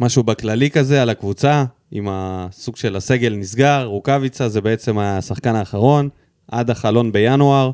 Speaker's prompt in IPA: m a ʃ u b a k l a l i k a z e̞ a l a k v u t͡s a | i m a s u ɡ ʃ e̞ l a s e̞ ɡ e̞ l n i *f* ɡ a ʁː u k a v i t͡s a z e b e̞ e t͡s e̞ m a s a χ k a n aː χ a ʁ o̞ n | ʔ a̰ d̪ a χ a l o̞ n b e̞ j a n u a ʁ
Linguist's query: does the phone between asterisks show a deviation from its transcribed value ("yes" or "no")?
yes